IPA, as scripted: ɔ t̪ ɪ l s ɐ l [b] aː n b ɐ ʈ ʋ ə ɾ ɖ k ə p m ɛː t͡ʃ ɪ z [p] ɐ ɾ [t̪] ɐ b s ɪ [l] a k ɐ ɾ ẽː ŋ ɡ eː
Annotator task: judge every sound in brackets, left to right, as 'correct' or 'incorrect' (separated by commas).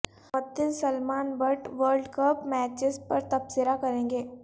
incorrect, correct, correct, incorrect